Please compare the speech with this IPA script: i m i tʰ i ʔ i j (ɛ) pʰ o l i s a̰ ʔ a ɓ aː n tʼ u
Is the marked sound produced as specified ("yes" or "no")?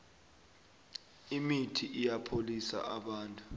no